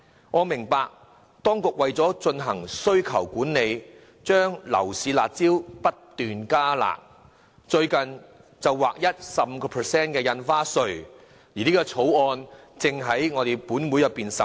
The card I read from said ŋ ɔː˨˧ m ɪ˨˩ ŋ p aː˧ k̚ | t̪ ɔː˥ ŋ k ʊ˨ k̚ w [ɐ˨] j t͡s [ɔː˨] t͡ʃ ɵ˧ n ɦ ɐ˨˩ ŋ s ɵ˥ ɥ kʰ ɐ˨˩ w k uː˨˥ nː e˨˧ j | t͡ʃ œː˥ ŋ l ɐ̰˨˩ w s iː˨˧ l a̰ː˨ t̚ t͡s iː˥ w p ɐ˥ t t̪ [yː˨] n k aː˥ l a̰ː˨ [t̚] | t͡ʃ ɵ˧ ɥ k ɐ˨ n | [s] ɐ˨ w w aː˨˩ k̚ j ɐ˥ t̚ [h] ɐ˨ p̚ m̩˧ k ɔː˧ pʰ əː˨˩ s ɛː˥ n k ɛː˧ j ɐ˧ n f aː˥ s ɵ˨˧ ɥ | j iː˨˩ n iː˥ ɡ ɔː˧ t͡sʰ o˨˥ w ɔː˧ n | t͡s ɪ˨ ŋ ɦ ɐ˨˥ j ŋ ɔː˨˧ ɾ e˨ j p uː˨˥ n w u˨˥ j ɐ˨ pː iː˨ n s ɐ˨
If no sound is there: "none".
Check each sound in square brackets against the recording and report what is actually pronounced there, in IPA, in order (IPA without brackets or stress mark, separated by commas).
ɐ˨, ɔː˨˥, yː˨, k̚, t͡s, s